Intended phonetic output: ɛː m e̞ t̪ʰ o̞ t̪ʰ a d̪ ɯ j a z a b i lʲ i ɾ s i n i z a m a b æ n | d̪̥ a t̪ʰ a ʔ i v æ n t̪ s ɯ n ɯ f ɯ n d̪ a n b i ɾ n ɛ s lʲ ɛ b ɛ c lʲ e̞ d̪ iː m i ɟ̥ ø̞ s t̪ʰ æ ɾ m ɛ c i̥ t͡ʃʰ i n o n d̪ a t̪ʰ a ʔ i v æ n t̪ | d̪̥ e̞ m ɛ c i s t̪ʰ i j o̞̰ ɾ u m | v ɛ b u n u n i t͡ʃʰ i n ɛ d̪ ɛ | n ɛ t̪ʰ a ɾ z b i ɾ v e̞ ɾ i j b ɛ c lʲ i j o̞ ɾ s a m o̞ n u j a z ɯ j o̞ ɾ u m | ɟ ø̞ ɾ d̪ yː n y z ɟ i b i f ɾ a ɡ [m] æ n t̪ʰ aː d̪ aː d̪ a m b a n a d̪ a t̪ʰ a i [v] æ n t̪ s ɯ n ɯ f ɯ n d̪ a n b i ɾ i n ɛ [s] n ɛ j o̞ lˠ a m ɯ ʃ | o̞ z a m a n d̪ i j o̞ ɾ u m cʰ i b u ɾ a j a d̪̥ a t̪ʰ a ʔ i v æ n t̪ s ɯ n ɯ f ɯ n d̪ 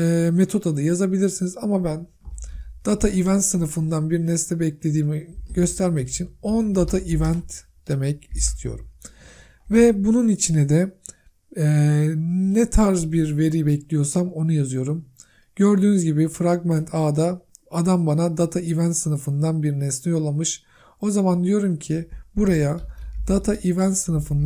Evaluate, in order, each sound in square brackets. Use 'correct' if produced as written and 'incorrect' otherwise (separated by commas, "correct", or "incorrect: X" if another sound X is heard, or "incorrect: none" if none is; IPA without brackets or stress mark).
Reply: correct, correct, correct